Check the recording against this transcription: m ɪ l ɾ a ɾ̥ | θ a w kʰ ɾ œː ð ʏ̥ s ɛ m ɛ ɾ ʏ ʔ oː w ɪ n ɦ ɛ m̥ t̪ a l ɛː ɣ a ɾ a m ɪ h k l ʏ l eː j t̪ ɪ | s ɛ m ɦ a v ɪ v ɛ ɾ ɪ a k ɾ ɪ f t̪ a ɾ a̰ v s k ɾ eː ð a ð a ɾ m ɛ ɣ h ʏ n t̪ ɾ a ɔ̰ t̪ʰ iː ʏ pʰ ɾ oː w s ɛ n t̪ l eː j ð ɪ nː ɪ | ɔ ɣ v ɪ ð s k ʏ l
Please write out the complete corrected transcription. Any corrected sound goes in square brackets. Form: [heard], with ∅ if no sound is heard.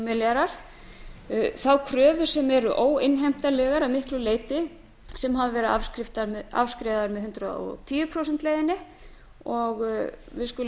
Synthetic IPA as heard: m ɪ l ɾ a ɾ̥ | θ a w kʰ ɾ œː [v] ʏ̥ s ɛ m ɛ ɾ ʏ ʔ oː w ɪ n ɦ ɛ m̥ t̪ a l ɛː ɣ a ɾ a m ɪ h k l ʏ l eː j t̪ ɪ | s ɛ m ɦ a v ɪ v ɛ ɾ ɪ a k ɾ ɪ f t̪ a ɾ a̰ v s k ɾ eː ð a ð a ɾ m ɛ [ð] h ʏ n t̪ ɾ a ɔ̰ t̪ʰ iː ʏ pʰ ɾ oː w s ɛ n t̪ l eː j ð ɪ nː ɪ | ɔ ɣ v ɪ ð s k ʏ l